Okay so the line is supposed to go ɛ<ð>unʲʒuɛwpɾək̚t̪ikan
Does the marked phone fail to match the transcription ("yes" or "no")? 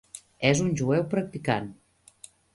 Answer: yes